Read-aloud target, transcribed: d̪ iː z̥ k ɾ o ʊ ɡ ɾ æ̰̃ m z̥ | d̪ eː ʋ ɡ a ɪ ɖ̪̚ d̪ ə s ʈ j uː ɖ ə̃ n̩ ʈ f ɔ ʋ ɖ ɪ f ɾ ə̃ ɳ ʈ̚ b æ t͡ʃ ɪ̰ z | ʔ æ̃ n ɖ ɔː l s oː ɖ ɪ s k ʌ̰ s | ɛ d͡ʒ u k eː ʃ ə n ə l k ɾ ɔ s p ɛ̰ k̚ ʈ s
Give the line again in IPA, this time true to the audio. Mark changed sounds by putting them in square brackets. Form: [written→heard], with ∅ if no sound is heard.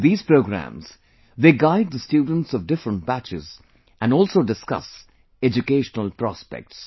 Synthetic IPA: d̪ iː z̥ [k→p] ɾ o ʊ ɡ ɾ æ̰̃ m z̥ | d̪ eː [ʋ→∅] ɡ a ɪ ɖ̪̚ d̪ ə s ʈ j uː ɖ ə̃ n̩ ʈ [f→s] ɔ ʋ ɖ ɪ f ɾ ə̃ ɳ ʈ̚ b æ t͡ʃ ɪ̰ z | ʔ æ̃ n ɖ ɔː l s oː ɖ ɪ s k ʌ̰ s | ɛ d͡ʒ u k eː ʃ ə n ə l [k→p] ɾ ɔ s p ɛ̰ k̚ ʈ s